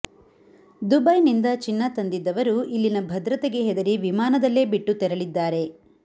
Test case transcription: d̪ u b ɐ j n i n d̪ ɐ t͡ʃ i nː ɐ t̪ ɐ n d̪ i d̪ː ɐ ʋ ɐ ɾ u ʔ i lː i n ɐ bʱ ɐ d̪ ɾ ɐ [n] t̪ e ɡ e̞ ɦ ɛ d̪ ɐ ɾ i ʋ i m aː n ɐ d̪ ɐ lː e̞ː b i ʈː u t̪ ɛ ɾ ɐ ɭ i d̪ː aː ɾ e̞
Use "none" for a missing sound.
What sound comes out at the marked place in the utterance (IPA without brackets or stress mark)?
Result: none